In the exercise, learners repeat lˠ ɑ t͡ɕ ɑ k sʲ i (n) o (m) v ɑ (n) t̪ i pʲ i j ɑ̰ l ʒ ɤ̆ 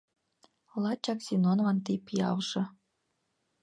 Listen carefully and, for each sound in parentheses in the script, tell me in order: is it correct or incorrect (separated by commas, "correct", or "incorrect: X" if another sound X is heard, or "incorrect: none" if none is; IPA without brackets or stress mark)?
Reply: correct, incorrect: n, correct